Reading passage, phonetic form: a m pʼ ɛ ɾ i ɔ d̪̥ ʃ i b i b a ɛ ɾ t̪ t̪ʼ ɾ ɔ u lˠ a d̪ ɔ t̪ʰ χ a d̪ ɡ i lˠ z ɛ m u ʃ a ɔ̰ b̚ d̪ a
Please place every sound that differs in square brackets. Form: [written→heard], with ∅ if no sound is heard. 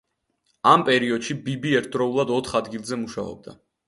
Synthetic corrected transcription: a m pʼ ɛ ɾ i ɔ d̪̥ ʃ i b i b [a→i] ɛ ɾ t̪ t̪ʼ ɾ ɔ u lˠ a d̪ ɔ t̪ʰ χ a d̪ ɡ i lˠ z ɛ m u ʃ a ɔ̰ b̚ d̪ a